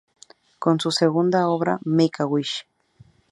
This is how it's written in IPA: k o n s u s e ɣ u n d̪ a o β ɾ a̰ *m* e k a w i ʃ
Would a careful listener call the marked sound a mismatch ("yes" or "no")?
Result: no